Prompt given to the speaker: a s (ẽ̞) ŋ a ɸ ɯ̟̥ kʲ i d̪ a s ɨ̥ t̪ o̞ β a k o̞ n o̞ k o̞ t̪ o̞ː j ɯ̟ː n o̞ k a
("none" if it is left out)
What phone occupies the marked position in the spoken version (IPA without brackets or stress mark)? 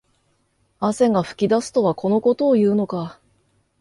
e̞